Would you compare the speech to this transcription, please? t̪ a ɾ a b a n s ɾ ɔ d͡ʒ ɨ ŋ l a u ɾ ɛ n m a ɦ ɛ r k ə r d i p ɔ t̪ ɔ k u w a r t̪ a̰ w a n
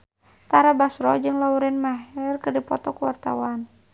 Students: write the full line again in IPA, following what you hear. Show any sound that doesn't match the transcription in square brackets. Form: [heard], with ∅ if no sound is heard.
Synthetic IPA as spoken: t̪ a ɾ a b a [∅] s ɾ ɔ d͡ʒ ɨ ŋ l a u ɾ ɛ n m a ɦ ɛ r k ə r d i p ɔ t̪ ɔ k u w a r t̪ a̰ w a n